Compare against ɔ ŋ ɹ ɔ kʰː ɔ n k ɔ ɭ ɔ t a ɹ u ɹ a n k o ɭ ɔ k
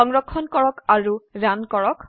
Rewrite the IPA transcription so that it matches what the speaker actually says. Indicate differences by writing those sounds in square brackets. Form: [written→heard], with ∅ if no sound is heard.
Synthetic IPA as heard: ɔ ŋ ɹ ɔ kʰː ɔ n k ɔ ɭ ɔ [t→k] a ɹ u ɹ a n k [o→ɔ] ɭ ɔ k